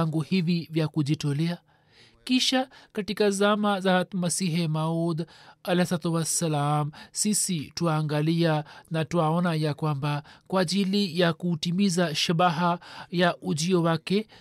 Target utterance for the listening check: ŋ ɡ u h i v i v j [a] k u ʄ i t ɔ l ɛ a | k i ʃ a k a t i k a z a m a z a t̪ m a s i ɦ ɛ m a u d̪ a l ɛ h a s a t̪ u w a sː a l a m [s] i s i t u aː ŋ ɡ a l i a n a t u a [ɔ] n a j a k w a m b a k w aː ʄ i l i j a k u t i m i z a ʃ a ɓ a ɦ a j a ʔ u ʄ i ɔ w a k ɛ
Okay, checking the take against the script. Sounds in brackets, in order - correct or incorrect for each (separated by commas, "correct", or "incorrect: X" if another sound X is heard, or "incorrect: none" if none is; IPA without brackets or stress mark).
correct, correct, correct